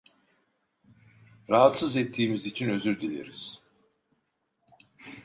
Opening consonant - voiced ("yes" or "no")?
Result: yes